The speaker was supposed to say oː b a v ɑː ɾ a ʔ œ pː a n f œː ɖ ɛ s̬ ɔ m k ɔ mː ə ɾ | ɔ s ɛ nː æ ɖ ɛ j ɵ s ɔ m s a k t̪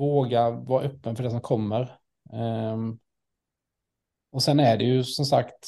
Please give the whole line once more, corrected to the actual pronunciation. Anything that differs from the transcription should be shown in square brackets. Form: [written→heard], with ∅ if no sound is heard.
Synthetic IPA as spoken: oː [b→ɡ] a v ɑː ɾ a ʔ œ pː [a→ə] n f [œː→œ] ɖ ɛ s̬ ɔ m [k→kʰ] ɔ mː ə ɾ | ɔ s ɛ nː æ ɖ ɛ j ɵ s ɔ m s a k t̪